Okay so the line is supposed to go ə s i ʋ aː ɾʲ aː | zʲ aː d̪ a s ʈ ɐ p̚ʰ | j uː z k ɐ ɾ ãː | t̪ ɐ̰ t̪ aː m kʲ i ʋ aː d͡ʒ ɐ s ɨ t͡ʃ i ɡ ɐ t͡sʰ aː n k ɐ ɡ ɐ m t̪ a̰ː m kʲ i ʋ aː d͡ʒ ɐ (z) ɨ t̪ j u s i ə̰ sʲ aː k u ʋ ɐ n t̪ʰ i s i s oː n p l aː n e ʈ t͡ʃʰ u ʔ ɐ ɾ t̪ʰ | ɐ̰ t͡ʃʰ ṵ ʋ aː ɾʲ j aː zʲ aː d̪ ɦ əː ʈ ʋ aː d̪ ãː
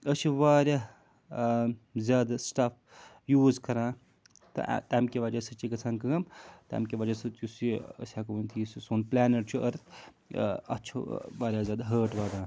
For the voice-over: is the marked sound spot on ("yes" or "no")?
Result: no